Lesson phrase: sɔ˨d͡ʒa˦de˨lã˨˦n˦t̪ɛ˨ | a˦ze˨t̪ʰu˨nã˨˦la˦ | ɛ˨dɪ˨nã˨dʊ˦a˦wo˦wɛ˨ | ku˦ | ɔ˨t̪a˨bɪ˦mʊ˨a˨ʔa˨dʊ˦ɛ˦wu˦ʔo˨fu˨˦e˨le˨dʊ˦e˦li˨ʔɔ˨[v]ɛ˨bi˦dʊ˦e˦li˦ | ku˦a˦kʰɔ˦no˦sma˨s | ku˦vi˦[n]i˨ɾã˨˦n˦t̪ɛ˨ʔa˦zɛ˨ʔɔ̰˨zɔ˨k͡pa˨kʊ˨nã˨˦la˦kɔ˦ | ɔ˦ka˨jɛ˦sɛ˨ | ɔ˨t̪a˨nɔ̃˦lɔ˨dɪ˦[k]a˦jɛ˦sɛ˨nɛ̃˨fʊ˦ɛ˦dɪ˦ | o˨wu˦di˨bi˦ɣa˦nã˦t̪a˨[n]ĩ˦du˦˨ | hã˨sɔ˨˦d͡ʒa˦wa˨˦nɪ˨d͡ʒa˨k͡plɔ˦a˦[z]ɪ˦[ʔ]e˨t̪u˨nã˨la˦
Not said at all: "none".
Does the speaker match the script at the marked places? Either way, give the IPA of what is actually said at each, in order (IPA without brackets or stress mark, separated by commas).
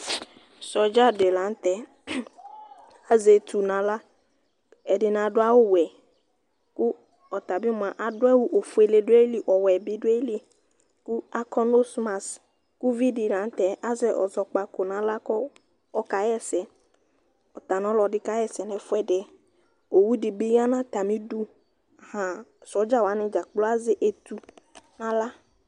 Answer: w, d, k, m, z, ʔ